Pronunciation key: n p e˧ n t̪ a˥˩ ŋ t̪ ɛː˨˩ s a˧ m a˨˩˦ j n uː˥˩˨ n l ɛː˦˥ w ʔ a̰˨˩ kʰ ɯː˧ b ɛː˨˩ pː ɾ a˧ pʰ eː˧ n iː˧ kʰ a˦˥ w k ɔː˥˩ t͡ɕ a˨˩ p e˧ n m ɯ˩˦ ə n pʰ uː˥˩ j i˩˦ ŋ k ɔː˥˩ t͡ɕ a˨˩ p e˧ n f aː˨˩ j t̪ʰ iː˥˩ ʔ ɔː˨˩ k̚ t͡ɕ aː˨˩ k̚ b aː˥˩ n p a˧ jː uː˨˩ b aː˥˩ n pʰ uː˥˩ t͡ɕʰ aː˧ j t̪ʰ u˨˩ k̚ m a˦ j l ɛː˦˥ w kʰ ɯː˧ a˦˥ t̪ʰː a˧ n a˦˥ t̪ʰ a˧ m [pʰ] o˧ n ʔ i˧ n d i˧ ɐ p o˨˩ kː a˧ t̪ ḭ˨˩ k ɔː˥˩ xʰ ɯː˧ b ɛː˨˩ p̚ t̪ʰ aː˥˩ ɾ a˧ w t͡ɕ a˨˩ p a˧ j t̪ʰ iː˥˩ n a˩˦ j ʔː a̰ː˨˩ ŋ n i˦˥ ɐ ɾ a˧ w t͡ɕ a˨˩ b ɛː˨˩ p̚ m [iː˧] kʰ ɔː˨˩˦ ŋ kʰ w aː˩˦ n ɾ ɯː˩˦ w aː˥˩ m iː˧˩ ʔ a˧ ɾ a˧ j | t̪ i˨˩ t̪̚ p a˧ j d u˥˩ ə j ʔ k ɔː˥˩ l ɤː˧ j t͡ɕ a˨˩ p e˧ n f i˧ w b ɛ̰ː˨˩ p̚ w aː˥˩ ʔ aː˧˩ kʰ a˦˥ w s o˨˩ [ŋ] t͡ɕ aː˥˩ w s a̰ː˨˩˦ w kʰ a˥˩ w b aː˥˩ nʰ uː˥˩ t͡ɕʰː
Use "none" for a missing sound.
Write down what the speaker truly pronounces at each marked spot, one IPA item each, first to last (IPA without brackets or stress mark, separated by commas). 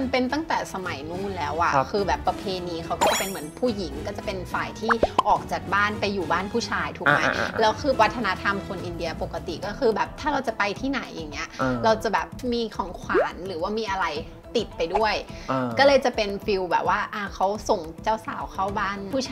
kʰ, iː˧, ŋ